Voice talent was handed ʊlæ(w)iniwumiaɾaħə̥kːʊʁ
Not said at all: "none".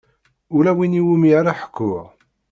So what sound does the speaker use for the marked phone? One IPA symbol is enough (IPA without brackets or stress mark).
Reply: w